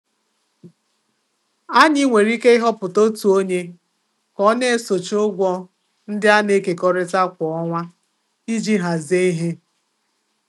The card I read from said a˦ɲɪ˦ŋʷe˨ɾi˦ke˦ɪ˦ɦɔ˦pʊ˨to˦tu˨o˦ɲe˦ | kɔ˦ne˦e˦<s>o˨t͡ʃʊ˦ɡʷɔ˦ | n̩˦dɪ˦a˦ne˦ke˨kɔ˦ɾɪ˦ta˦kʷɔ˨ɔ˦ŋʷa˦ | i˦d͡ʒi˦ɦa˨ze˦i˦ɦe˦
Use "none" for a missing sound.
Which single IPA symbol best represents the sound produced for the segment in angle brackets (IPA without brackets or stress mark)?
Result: s